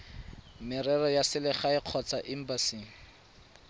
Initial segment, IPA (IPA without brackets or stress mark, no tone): m